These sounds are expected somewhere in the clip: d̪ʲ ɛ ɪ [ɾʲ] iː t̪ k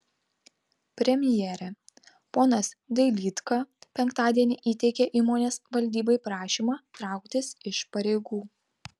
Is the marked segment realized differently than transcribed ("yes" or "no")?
yes